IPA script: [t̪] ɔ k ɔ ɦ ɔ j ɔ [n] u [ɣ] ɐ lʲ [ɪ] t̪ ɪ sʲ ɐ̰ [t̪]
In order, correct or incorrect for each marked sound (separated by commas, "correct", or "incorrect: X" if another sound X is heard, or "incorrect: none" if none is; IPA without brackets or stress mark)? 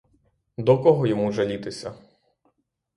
incorrect: d̪, incorrect: m, incorrect: ʒ, incorrect: i, incorrect: none